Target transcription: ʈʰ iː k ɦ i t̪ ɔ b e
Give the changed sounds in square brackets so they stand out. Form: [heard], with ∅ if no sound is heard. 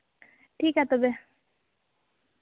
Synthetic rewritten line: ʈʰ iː k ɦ [a] t̪ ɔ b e